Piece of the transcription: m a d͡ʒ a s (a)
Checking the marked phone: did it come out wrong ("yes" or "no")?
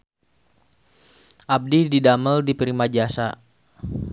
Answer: no